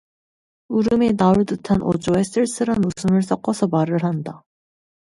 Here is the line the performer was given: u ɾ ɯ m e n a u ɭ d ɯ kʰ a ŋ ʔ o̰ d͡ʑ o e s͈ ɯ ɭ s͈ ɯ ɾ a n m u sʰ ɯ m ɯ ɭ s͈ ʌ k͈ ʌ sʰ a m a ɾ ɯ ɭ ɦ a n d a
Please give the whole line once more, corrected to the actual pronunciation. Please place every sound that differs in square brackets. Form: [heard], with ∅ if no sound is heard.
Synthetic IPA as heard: u ɾ ɯ m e n a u ɭ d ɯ [tʰ] a [n] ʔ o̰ d͡ʑ o e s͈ ɯ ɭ s͈ ɯ ɾ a n m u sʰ ɯ m ɯ ɭ s͈ ʌ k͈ ʌ sʰ [ʌ] m a ɾ ɯ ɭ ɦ a n d a